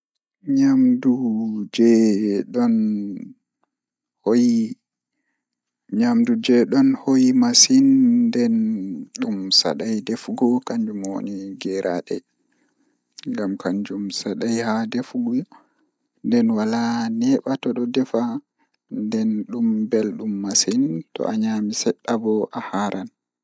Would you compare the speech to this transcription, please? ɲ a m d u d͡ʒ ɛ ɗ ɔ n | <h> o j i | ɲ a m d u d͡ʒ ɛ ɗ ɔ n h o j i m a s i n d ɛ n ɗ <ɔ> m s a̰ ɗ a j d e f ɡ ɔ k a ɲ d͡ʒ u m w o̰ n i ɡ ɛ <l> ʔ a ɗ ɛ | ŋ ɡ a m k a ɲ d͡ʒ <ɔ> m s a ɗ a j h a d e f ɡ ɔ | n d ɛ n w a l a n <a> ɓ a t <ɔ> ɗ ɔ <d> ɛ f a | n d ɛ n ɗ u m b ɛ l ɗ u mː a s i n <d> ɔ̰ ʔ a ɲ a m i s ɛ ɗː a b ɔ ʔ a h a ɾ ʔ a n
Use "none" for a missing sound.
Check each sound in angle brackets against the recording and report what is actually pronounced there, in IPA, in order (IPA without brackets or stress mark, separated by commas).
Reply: h, u, ɾ, u, ɛ, ɔ, d, t